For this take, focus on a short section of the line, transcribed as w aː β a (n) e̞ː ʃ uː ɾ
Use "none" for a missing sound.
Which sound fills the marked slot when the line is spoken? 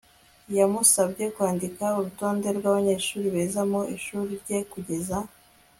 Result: ɲ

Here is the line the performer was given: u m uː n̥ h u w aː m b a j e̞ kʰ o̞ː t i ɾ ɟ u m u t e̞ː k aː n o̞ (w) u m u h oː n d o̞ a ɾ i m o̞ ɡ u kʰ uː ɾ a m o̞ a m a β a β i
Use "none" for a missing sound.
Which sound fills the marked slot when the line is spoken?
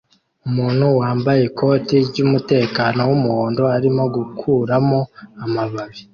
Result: w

